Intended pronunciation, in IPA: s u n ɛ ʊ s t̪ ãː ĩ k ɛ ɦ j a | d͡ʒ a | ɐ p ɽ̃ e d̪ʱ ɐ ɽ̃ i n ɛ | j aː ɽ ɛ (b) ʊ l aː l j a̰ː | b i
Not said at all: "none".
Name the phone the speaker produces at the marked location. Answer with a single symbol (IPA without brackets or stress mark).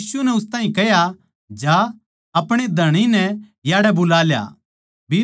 b